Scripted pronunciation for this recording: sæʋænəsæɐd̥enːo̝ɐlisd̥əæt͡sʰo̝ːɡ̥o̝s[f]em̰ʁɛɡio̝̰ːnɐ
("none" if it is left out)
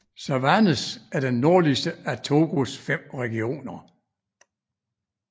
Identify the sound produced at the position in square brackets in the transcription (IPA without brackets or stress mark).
f